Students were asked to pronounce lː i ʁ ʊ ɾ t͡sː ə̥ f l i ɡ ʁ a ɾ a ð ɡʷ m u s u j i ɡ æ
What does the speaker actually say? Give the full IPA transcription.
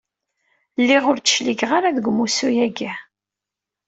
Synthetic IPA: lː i ʁ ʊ ɾ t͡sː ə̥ ʃ l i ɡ ʁ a ɾ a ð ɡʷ m u s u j æ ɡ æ